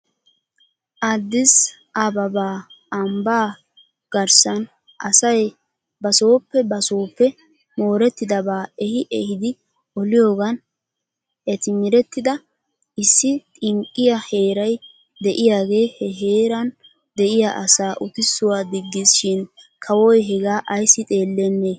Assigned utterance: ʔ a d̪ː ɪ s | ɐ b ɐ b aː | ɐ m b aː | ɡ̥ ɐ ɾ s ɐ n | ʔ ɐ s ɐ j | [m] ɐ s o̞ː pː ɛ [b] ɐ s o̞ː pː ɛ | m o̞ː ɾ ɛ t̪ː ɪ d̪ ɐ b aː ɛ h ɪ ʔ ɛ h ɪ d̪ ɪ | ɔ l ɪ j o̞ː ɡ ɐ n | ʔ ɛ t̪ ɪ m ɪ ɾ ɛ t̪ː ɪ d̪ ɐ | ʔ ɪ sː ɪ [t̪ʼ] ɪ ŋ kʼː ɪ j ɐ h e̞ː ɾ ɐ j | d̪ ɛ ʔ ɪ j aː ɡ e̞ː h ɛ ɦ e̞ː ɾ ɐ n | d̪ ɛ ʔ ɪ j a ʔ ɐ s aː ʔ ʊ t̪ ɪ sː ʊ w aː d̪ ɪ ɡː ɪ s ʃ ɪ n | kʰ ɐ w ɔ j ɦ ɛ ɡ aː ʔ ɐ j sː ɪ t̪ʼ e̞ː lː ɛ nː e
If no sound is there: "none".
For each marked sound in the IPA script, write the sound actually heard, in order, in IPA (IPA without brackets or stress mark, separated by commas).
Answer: b, b, t̪ʼ